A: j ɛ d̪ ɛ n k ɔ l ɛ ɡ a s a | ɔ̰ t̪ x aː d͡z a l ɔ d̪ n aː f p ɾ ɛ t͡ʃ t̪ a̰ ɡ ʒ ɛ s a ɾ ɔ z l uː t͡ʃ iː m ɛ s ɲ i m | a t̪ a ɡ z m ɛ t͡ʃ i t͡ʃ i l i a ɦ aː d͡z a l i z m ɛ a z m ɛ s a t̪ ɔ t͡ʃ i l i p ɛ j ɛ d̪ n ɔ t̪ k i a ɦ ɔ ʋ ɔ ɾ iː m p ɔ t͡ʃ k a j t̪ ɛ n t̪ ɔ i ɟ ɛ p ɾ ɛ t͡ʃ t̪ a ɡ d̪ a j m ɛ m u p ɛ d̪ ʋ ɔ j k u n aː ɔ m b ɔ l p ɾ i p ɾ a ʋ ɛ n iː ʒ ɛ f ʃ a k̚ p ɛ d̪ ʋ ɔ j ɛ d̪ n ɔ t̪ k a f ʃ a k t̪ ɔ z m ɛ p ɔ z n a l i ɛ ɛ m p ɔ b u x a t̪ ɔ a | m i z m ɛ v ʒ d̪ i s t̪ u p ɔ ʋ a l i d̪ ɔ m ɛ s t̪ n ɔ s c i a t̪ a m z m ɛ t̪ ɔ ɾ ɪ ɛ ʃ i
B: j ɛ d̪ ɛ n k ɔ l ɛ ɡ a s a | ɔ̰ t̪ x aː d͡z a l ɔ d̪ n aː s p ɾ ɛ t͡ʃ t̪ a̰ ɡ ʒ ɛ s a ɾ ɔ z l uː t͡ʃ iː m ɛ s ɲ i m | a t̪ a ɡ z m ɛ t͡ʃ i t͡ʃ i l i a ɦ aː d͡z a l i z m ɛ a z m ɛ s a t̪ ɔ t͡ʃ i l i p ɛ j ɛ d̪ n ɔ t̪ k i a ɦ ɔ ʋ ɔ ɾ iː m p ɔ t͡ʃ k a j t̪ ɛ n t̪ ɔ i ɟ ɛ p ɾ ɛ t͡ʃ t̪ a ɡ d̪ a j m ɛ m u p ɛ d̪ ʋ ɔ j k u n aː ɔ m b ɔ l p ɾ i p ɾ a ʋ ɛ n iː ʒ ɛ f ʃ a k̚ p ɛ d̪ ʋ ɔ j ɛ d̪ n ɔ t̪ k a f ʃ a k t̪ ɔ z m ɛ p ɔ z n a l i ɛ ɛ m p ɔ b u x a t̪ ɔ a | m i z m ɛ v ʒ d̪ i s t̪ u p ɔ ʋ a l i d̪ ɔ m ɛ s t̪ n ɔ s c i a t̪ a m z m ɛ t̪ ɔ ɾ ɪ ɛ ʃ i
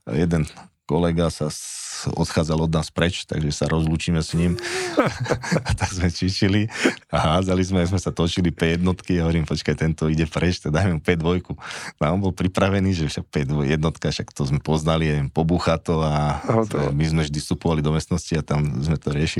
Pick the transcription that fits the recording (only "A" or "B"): B